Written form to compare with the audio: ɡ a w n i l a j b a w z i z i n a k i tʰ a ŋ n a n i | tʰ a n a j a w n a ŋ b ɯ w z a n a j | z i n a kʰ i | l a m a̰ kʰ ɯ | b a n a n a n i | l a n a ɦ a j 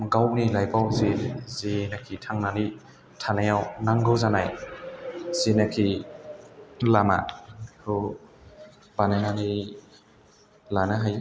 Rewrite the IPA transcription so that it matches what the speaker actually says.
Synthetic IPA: ɡ a w n i l a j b a w z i z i n a kʰ i tʰ a ŋ n a n i | tʰ a n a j a w n a ŋ ɡ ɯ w z a n a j | z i n a kʰ i | l a m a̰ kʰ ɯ | b a n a n a n i | l a n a ɦ a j